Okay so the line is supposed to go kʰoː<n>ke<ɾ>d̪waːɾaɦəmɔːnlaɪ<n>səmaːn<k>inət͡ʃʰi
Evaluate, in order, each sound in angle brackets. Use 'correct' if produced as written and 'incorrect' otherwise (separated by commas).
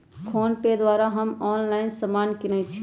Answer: correct, incorrect, correct, correct